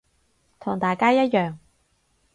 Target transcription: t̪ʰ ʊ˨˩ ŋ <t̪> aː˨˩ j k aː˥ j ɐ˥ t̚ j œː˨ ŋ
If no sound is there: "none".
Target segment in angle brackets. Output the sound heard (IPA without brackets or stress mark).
t̪